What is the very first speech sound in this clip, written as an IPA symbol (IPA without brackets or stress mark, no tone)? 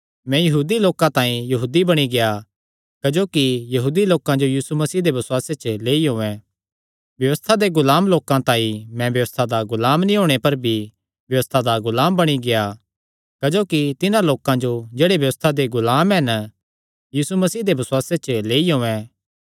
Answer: m